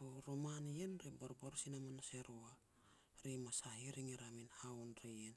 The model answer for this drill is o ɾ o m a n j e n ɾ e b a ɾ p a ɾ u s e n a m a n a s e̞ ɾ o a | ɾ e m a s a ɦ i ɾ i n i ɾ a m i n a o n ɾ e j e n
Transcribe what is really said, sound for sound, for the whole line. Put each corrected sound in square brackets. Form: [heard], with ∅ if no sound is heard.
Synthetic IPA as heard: o ɾ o m a n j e n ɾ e b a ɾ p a ɾ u s [i] n a m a n a s e̞ ɾ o a | ɾ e m a s a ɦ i ɾ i [ŋ] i ɾ a m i n a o n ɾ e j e n